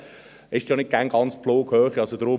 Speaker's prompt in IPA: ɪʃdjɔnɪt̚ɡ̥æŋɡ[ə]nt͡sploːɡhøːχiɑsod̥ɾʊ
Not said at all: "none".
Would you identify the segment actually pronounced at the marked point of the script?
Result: ɑ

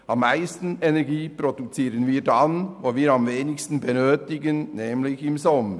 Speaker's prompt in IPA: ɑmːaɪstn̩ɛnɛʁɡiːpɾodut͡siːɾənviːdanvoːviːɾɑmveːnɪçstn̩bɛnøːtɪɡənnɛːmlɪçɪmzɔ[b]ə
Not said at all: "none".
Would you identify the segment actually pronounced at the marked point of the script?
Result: m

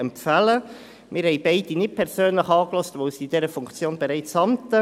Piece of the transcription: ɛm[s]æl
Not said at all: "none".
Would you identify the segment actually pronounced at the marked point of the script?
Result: f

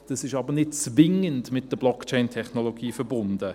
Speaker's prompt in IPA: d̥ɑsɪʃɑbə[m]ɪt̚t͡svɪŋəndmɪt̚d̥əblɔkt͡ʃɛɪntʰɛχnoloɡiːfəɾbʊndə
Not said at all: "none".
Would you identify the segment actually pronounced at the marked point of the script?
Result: n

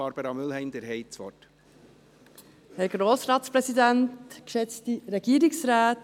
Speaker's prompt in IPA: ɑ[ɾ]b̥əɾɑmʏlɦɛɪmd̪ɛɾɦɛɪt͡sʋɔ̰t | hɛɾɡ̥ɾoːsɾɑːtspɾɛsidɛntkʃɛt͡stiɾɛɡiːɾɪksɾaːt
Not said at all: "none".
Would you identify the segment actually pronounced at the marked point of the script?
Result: ɾ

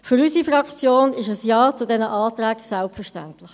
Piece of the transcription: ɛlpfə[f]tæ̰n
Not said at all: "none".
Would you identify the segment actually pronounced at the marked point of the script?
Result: ʃ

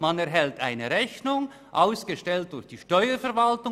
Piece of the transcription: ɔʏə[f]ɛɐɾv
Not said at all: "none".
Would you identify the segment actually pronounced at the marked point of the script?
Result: f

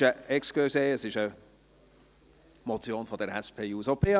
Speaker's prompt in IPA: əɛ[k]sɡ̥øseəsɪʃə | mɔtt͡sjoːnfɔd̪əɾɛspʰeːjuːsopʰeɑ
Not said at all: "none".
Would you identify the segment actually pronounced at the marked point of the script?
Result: k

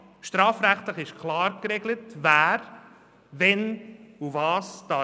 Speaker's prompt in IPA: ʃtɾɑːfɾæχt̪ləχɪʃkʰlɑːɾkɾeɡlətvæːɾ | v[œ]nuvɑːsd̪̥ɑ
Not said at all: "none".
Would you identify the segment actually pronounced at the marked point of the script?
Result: ɛ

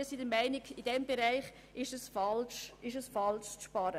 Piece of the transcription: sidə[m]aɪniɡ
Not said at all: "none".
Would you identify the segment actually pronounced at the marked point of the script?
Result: m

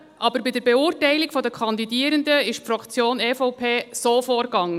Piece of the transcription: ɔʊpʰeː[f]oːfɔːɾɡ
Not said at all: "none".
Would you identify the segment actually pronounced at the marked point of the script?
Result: s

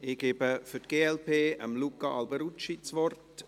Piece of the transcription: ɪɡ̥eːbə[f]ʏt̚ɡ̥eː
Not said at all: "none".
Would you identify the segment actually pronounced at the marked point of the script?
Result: f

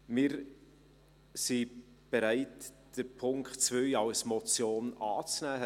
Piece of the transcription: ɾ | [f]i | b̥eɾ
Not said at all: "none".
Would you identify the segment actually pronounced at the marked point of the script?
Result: s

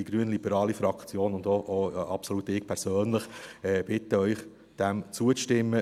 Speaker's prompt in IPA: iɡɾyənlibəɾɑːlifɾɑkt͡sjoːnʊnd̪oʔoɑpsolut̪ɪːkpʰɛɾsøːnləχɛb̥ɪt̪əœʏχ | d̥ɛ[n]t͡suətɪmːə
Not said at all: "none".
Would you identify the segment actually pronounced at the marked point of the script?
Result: m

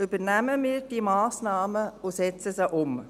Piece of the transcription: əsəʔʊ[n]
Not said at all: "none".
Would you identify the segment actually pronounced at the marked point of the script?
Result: m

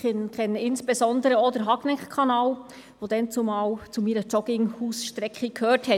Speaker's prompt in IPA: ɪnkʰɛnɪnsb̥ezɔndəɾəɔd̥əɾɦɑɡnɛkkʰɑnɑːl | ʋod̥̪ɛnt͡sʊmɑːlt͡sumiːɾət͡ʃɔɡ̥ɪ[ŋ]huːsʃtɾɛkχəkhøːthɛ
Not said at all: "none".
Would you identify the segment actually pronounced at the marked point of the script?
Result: ŋ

